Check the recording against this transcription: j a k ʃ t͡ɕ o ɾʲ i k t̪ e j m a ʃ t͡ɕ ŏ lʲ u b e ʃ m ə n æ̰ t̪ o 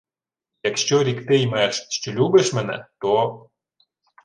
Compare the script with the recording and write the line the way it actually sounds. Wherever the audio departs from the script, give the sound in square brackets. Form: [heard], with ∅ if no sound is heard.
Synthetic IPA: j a k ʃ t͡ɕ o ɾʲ i k t̪ e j m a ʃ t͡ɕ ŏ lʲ u b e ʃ m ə n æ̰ t̪ o

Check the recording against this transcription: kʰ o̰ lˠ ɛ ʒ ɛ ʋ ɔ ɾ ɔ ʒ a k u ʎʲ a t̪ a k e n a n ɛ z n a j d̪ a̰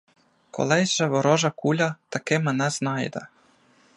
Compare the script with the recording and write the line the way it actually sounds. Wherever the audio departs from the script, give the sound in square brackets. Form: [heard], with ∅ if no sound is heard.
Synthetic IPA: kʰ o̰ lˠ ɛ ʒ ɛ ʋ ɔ ɾ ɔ ʒ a k u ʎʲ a t̪ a k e [m] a n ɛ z n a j d̪ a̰

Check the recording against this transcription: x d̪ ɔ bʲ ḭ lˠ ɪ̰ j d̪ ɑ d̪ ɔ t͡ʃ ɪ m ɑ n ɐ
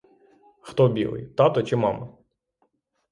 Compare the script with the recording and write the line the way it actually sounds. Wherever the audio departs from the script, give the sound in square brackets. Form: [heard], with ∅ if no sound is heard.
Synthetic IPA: x [t̪] ɔ bʲ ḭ lˠ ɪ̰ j [t̪] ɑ [t̪] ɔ t͡ʃ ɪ m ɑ [m] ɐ

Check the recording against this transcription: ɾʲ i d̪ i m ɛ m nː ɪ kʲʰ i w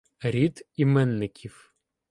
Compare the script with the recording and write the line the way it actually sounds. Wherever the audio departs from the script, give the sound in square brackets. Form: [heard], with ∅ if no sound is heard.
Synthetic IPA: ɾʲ i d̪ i m ɛ [∅] nː ɪ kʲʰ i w

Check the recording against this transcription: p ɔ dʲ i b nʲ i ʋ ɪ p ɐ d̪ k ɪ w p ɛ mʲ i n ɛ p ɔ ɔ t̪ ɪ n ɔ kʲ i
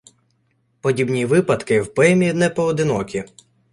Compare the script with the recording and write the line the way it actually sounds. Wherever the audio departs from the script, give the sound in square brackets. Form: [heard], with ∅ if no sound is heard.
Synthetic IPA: p ɔ dʲ i b nʲ i ʋ ɪ p ɐ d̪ k ɪ w p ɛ mʲ i n ɛ p ɔ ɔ [d̪] ɪ n ɔ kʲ i

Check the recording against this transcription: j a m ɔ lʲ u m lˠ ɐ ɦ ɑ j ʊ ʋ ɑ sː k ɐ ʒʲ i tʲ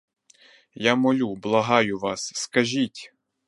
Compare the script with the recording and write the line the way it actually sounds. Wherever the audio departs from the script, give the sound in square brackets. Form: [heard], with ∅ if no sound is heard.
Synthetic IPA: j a m ɔ lʲ u [b] lˠ ɐ ɦ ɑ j ʊ ʋ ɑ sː k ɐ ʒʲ i tʲ

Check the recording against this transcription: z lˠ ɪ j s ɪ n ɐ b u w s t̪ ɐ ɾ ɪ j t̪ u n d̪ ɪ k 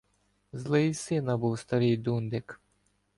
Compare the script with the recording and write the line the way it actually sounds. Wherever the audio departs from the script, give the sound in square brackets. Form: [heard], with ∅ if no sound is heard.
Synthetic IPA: z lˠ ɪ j s ɪ n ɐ b u w s t̪ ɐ ɾ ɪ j [d̪] u n d̪ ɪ k

